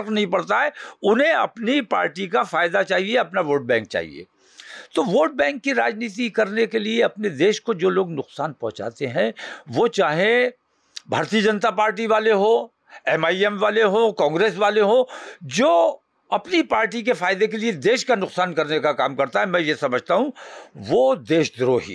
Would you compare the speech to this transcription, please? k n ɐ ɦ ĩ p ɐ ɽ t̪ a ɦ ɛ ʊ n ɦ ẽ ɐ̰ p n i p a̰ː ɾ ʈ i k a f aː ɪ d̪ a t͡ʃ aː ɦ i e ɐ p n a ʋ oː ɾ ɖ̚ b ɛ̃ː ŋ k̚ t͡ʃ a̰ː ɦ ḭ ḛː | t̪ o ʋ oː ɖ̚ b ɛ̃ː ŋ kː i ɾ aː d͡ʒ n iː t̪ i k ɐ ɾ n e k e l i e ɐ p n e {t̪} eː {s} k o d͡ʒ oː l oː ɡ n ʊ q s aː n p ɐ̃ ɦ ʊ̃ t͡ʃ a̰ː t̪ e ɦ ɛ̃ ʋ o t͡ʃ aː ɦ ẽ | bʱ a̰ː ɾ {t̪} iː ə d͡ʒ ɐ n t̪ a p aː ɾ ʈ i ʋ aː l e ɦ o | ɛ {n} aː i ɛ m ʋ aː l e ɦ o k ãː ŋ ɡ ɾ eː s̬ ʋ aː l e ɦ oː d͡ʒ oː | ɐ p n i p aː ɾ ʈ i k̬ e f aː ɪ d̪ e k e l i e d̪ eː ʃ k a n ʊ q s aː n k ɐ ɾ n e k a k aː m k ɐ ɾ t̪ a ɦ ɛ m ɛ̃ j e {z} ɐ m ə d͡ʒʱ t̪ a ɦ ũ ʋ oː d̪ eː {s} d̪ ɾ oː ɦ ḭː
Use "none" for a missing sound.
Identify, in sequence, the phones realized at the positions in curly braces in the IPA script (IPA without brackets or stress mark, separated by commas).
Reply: d̪, ʃ, t̪, m, s, ʃ